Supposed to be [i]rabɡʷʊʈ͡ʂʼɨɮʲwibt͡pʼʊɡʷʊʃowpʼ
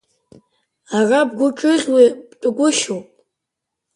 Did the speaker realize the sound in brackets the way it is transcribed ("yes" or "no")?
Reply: no